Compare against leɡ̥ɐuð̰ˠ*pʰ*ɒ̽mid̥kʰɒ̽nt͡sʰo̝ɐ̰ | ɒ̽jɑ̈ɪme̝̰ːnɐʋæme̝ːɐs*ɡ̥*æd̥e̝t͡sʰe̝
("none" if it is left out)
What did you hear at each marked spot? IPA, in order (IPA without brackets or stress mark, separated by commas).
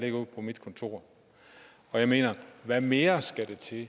pʰ, ɡ̥